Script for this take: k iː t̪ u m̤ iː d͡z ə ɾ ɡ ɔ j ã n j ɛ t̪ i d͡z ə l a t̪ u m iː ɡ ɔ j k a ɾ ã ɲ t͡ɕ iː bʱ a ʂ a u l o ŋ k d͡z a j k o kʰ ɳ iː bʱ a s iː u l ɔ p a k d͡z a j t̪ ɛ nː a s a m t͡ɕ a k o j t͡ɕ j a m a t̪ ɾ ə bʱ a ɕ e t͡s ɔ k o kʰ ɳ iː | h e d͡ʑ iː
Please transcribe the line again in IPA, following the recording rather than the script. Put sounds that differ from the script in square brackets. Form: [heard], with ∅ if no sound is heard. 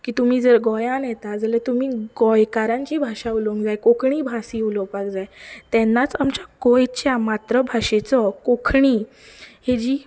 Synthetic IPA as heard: k iː t̪ u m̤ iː d͡z ə ɾ ɡ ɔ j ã n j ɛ t̪ [a] d͡z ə l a t̪ u m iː ɡ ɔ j k a ɾ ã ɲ t͡ɕ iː bʱ a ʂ a u l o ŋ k d͡z a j k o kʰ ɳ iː bʱ a s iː u l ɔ p a k d͡z a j t̪ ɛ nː a [t͡s] a m t͡ɕ a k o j t͡ɕ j a m a t̪ ɾ ə bʱ a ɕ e t͡s ɔ k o kʰ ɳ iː | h e d͡ʑ iː